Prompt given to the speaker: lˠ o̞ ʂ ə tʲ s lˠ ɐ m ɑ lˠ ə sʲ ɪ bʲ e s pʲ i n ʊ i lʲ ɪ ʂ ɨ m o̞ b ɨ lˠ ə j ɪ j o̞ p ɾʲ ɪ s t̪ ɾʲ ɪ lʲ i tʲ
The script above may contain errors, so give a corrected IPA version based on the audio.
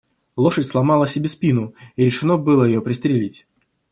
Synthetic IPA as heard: lˠ o̞ ʂ ə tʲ s lˠ ɐ m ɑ lˠ ə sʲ ɪ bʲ e s pʲ i n ʊ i ɾʲ ɪ ʂ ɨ n o̞ b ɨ lˠ ə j ɪ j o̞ p ɾʲ ɪ s t̪ ɾʲ ɪ lʲ i tʲ